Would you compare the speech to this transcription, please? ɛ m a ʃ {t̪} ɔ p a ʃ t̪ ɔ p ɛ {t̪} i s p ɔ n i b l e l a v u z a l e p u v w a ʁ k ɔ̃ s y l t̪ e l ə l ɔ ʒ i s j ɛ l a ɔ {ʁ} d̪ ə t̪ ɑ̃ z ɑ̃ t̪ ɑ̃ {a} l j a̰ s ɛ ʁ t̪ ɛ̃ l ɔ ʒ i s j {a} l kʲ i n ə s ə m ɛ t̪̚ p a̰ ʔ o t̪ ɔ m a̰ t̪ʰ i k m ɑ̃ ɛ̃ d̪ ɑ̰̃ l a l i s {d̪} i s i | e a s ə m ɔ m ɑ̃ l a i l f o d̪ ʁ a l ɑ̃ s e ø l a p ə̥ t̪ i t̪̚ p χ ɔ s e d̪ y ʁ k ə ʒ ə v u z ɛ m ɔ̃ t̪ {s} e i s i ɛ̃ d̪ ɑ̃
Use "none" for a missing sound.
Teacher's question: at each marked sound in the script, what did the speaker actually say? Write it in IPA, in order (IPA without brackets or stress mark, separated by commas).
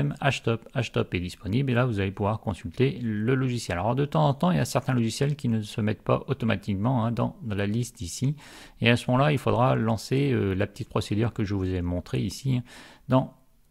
t̪, d̪, ʁ, i, ɛ, t̪, χ